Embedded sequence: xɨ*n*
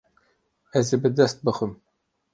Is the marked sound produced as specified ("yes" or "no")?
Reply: no